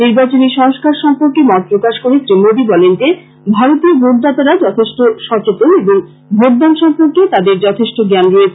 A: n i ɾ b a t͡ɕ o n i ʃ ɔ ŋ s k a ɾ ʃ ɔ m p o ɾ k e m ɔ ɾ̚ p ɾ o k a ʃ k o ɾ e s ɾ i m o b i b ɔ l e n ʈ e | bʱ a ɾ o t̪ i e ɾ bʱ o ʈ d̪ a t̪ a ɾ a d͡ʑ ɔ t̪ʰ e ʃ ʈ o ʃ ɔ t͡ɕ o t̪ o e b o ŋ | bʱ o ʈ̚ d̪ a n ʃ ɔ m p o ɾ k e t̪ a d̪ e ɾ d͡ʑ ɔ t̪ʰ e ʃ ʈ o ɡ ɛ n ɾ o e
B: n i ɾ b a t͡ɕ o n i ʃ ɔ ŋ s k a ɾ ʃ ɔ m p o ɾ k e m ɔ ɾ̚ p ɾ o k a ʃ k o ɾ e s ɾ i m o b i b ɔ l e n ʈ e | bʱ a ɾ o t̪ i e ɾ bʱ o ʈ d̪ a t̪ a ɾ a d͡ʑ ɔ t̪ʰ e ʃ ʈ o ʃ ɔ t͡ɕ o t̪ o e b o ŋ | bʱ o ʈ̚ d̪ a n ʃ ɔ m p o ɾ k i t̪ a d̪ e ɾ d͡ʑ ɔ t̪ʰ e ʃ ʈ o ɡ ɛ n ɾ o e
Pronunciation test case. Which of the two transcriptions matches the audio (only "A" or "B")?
A